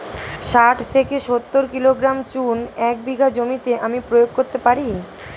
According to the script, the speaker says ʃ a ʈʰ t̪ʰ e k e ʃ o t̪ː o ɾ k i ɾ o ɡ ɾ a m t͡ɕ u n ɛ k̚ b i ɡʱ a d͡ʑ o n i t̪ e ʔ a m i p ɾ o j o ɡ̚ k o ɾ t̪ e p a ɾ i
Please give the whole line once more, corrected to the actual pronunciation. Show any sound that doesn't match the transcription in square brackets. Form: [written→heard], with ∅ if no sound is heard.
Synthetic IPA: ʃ a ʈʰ t̪ʰ e k e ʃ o t̪ː o ɾ k i [ɾ→l] o ɡ ɾ a m t͡ɕ u n ɛ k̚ b i ɡʱ a d͡ʑ o [n→m] i t̪ e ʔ a m i p ɾ o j o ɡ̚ k o ɾ t̪ e p a ɾ i